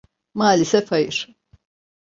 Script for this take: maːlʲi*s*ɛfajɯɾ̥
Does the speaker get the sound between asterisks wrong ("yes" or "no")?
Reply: no